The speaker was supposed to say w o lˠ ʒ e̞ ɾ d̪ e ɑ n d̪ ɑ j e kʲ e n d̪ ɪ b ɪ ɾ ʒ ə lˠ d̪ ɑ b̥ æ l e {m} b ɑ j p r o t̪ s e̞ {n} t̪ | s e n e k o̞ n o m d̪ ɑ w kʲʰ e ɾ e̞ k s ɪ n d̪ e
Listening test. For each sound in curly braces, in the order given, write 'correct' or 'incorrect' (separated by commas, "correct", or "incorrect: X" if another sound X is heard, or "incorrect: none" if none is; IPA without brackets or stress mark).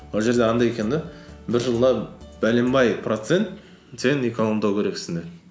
correct, correct